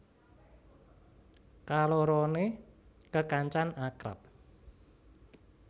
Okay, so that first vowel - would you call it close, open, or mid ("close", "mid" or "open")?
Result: open